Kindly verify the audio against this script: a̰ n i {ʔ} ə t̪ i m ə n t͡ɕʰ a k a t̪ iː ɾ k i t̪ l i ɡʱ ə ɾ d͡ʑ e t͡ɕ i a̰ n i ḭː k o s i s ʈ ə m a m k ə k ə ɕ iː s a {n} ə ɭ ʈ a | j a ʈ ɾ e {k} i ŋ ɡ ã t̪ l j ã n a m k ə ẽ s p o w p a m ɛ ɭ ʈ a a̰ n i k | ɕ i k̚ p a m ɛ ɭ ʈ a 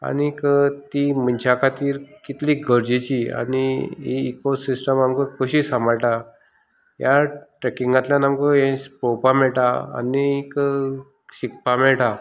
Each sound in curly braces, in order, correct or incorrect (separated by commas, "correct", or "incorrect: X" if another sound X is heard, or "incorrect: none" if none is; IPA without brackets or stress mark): incorrect: k, incorrect: m, correct